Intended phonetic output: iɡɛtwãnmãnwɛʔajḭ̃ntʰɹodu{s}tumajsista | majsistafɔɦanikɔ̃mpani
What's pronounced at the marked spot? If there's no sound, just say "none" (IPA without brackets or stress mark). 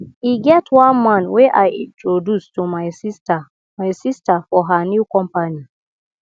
s